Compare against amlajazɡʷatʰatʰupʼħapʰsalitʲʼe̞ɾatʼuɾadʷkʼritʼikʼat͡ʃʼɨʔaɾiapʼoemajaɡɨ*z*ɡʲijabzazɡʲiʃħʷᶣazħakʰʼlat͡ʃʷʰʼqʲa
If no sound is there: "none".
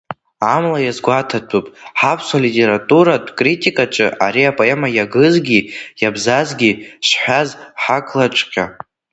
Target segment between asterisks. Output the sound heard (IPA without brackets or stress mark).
z